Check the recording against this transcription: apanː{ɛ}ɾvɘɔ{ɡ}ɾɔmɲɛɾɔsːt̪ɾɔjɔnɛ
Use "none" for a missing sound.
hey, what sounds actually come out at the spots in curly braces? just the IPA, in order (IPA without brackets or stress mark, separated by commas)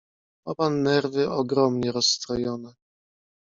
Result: ɛ, ɡ